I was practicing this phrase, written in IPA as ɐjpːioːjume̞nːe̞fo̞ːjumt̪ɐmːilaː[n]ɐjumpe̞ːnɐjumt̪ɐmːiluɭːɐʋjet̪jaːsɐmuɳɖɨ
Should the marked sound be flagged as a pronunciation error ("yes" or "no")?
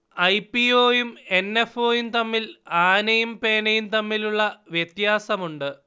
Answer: no